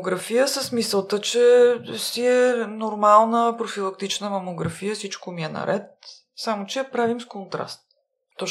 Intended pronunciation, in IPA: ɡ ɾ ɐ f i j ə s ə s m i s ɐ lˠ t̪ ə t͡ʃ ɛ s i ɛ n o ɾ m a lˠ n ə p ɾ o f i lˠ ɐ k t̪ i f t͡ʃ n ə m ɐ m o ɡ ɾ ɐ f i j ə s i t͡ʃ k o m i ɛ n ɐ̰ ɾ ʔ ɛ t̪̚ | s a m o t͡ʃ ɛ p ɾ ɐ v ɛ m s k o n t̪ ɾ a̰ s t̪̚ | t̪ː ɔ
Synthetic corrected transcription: ɡ ɾ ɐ f i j ə s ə s m i s ə lˠ t̪ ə t͡ʃ ɛ s i ɛ n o ɾ m a lˠ n ə p ɾ o f i lˠ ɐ k t̪ i t͡ʃ n ə m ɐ m o ɡ ɾ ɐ f i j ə s i t͡ʃ k o m i ɛ n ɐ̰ ɾ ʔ ɛ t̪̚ | s a m o t͡ʃ ɛ p ɾ a v i m s k o n t̪ ɾ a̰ s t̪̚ | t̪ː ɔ